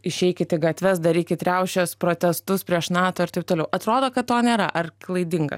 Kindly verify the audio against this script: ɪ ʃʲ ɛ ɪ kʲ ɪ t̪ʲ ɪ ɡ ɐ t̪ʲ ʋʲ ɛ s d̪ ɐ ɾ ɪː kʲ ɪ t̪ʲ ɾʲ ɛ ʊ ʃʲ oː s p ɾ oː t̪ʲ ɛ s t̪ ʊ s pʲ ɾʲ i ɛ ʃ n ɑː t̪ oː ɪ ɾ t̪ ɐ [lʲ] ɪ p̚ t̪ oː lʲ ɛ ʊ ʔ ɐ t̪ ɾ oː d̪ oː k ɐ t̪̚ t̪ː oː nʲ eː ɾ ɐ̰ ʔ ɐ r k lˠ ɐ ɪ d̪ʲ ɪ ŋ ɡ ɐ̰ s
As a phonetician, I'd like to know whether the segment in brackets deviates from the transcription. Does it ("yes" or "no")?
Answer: yes